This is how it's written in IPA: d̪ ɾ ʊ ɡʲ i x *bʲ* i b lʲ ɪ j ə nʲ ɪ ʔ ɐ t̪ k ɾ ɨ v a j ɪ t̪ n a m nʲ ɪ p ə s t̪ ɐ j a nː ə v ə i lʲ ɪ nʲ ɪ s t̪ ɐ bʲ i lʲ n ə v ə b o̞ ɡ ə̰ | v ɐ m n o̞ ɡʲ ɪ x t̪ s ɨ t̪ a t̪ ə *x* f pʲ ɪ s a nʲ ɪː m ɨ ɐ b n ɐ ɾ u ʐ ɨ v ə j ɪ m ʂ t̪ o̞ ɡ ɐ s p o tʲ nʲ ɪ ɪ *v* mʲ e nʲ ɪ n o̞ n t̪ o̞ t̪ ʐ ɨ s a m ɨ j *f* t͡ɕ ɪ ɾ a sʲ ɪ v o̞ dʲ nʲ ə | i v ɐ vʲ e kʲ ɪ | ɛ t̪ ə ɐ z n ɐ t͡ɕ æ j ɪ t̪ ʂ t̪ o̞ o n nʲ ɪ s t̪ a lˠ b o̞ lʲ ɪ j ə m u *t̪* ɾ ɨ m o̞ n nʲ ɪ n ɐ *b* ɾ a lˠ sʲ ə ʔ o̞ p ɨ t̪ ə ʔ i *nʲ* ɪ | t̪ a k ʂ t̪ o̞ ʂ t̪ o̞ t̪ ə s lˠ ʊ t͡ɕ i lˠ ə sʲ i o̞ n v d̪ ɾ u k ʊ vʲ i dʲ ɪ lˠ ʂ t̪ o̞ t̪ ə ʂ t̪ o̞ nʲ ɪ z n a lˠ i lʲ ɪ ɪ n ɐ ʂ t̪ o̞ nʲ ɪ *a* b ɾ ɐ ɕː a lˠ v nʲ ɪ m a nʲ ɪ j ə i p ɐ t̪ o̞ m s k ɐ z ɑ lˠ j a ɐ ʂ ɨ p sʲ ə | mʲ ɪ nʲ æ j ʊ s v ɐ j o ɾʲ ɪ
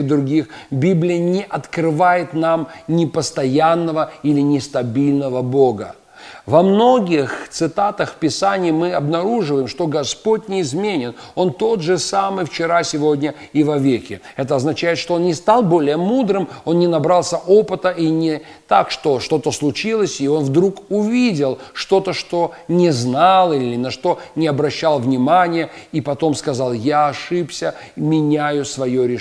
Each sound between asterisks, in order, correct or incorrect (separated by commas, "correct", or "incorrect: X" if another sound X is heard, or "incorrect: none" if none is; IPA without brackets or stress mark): correct, correct, incorrect: z, correct, incorrect: d̪, correct, correct, incorrect: ɐ